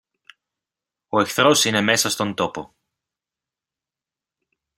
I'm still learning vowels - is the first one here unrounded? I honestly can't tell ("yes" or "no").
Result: no